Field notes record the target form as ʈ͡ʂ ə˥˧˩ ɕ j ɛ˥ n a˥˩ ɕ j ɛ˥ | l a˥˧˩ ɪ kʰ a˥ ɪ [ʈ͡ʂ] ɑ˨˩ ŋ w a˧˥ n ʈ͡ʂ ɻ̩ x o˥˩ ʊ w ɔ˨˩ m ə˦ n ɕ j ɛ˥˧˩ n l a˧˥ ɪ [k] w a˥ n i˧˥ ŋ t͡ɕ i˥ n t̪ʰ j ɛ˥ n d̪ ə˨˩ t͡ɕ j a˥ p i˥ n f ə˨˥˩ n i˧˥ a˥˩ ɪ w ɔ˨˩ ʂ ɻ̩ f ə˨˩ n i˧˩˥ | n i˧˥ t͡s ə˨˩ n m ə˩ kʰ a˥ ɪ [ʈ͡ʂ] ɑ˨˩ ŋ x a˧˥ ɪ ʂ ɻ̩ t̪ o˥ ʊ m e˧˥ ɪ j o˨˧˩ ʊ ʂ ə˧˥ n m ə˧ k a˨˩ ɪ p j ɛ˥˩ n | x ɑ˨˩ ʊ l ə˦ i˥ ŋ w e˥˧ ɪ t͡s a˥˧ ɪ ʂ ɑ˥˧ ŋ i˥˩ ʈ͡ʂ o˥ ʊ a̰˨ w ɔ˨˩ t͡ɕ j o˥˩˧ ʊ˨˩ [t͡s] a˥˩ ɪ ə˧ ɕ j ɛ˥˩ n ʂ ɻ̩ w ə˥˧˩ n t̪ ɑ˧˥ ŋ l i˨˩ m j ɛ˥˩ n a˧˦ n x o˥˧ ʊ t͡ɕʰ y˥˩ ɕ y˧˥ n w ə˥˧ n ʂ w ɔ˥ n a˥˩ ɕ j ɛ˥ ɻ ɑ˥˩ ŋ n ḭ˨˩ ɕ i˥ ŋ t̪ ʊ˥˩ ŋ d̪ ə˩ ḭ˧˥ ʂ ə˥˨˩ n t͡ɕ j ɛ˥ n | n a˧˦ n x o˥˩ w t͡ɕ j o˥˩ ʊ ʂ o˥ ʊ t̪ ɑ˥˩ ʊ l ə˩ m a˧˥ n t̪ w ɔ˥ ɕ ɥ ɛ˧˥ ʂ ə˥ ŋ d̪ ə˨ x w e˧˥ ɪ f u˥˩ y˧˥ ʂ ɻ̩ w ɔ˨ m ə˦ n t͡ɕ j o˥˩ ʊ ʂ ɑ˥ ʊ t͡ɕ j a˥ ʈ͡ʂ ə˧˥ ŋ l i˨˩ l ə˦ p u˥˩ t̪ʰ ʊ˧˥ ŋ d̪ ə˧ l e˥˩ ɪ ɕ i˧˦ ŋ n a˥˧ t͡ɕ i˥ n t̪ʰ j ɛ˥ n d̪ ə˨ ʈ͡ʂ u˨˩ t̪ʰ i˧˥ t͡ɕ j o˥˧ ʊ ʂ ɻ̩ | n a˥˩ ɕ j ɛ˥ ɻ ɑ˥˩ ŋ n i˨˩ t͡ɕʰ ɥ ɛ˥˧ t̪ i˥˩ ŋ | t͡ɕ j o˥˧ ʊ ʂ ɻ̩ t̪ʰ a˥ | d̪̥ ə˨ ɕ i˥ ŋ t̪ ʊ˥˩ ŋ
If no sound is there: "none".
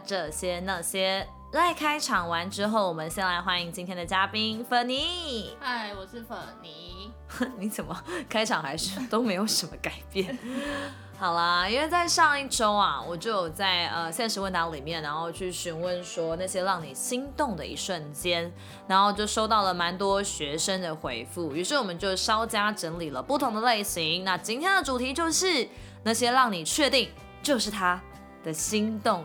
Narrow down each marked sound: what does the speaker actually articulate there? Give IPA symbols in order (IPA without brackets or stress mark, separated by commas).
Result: ʈ͡ʂʰ, x, ʈ͡ʂʰ, t͡s